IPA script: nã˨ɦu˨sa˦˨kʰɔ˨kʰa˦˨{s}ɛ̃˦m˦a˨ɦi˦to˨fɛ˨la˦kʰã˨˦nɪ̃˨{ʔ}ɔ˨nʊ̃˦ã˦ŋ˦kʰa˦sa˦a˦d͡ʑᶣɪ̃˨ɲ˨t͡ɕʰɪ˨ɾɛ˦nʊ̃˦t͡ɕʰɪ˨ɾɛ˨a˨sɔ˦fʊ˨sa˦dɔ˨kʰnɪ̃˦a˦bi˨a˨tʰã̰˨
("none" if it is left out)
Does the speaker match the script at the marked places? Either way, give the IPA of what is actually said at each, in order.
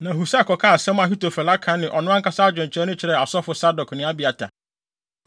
s, ʔ

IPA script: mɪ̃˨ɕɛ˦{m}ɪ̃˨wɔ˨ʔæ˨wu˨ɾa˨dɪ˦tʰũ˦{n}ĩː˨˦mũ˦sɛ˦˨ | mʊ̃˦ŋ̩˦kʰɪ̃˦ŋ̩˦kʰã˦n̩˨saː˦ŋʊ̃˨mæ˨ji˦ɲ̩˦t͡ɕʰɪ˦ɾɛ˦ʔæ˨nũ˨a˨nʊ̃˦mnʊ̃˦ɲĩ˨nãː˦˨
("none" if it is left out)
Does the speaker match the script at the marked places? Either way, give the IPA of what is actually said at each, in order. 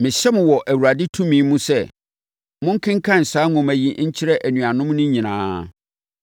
m, m

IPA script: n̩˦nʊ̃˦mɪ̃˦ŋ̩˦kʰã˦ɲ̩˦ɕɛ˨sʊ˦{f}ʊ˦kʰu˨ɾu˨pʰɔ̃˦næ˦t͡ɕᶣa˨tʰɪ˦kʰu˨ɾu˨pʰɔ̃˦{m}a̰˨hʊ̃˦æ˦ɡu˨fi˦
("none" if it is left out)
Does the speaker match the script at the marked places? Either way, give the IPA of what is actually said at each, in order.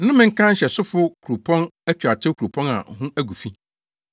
f, n

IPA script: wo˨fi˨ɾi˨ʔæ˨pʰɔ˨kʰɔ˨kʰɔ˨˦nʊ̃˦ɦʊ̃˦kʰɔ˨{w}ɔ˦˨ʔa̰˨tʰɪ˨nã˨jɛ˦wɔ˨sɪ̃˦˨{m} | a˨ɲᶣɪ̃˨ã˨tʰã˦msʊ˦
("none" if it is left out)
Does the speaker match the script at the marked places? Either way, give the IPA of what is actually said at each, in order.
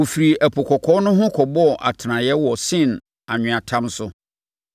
b, n

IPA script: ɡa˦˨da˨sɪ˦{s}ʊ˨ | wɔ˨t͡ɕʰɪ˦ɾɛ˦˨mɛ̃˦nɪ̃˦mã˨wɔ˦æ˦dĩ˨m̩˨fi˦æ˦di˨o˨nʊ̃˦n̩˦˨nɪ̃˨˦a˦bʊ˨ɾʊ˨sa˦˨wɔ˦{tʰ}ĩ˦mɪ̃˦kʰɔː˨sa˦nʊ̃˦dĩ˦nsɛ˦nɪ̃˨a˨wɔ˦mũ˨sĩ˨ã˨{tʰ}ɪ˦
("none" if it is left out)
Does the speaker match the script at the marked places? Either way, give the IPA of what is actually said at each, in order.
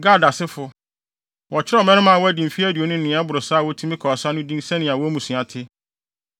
f, tʰ, tʰ

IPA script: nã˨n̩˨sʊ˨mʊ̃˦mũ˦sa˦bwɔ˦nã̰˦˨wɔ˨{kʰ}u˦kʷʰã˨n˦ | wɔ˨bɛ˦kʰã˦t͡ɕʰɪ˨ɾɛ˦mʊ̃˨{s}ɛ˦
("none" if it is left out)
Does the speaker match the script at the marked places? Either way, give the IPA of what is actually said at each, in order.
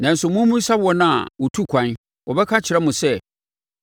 tʰ, s

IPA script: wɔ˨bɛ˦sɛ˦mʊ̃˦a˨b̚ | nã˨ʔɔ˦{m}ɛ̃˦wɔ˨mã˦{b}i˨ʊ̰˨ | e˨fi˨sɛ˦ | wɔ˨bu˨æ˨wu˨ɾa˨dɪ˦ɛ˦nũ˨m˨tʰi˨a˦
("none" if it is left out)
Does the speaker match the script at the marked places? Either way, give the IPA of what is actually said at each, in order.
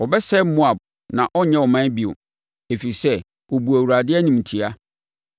ɲ, b

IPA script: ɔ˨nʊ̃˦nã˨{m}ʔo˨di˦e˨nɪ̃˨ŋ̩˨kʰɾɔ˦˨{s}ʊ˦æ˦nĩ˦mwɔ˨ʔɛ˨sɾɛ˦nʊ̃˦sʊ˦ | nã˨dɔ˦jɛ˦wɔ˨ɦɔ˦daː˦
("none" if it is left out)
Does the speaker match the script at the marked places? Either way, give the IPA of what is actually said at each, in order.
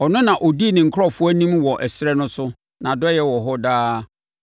none, f

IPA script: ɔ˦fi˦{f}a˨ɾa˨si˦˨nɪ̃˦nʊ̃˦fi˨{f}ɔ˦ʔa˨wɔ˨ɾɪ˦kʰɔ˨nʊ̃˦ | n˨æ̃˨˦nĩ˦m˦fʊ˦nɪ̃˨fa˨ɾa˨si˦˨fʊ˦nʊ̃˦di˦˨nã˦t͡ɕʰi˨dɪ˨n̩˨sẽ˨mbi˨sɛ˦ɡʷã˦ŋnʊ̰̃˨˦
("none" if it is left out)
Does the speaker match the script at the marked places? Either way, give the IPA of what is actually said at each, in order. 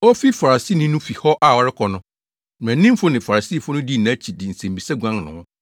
f, h

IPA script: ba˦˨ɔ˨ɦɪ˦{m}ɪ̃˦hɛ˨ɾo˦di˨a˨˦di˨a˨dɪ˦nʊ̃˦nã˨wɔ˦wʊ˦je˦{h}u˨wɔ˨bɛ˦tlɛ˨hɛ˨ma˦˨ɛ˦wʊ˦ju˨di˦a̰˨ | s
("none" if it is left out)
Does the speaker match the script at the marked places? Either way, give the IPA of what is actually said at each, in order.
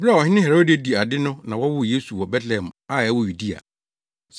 n, s

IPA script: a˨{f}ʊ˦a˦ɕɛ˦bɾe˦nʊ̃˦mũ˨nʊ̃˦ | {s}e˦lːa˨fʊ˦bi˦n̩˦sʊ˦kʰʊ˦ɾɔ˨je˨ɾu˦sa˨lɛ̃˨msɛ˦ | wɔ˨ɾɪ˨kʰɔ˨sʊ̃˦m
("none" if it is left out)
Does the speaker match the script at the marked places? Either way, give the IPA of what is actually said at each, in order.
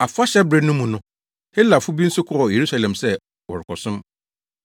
f, h

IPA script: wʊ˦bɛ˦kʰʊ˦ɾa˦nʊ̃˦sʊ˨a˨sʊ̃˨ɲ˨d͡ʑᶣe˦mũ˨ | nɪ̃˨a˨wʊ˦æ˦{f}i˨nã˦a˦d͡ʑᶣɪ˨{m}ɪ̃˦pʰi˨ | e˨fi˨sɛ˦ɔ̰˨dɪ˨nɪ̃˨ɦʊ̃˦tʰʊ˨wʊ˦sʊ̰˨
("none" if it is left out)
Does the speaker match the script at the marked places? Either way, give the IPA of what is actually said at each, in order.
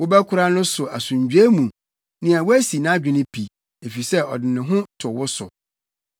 s, n

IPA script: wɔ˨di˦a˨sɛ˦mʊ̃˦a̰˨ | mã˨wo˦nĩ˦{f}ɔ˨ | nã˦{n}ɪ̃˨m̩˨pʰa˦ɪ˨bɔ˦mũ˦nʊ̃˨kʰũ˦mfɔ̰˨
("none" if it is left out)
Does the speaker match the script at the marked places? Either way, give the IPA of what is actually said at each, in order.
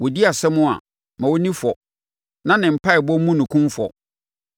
f, n

